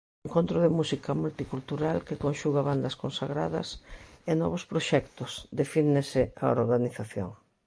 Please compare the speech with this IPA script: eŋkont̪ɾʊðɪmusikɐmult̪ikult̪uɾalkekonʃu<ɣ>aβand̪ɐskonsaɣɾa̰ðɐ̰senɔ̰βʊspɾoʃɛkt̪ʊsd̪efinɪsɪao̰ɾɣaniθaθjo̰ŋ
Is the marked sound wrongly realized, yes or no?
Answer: no